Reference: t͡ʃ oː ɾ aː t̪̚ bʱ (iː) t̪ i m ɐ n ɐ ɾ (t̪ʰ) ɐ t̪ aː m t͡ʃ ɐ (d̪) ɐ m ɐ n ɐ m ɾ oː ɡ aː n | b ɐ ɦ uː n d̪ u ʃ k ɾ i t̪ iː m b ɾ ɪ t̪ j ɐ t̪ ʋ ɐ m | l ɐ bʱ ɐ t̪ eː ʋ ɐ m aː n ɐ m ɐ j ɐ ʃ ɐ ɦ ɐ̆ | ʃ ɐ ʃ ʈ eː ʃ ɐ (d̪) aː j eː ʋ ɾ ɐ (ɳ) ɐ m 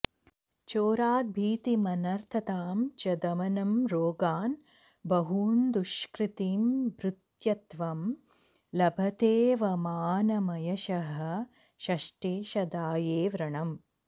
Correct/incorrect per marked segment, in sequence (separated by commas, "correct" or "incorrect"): correct, correct, correct, correct, correct